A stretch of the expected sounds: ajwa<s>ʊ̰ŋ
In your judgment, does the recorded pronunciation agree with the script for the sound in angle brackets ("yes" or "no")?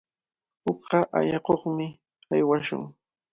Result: no